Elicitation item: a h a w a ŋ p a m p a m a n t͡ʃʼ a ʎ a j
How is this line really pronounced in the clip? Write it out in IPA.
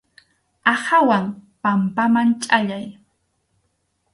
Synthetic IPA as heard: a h a w a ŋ p a m p a m a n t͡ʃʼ a ʎ a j

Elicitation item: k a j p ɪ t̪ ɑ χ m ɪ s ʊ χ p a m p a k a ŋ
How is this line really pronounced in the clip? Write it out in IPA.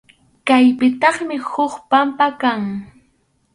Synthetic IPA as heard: k a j p ɪ t̪ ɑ χ m ɪ h ʊ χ p a m p a k a ŋ

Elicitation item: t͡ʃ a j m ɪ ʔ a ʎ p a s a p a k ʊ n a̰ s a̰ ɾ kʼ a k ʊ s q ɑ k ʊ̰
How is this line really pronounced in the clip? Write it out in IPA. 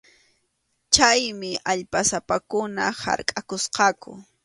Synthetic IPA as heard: t͡ʃ a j m ɪ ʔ a ʎ p a s a p a k ʊ n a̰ h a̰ ɾ kʼ a k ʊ s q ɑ k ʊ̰

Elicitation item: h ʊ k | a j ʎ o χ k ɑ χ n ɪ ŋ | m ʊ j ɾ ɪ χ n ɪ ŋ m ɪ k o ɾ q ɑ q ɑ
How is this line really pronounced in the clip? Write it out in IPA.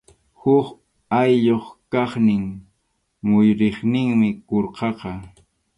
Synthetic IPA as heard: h ʊ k | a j ʎ o χ k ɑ χ n ɪ ŋ | m ʊ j ɾ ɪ χ n ɪ ŋ m ɪ k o ɾ q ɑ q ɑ

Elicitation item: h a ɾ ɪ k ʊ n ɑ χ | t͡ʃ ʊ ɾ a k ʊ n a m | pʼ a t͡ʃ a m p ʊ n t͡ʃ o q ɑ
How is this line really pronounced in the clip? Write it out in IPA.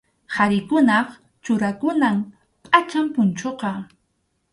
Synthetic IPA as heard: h a ɾ ɪ k ʊ n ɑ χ | t͡ʃ ʊ ɾ a k ʊ n a m | pʼ a t͡ʃ a m p ʊ n t͡ʃ o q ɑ

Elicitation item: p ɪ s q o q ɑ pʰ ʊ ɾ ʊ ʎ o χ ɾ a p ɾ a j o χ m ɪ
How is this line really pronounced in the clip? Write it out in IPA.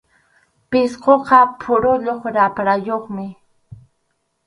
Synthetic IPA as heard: p ɪ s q o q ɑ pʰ ʊ ɾ ʊ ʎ o χ ɾ a p ɾ a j o χ m ɪ

